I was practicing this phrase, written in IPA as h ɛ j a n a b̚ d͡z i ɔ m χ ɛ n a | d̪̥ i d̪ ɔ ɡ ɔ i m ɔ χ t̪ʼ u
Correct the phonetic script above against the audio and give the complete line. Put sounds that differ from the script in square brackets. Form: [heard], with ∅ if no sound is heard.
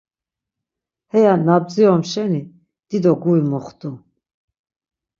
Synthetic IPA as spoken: h ɛ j a n a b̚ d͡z i ɔ m [ʃ] ɛ n [i] | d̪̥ i d̪ ɔ ɡ [u] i m ɔ χ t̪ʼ u